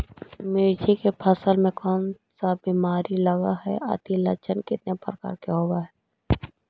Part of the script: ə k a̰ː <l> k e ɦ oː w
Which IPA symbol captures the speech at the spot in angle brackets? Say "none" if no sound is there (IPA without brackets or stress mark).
ɾ